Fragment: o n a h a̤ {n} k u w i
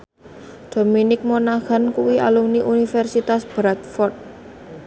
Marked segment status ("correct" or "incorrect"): correct